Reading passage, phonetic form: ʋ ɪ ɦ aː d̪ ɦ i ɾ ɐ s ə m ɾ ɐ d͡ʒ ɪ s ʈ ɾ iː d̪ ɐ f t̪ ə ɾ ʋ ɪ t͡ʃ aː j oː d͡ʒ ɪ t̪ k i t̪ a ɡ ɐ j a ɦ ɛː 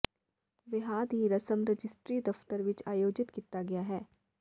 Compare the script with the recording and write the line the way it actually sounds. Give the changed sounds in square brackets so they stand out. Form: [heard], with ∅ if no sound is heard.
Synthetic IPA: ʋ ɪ ɦ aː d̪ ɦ i ɾ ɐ s ə m ɾ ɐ d͡ʒ ɪ s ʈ ɾ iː d̪ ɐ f t̪ ə ɾ ʋ ɪ t͡ʃ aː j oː d͡ʒ ɪ t̪ k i t̪ a ɡ ɐ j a ɦ ɛː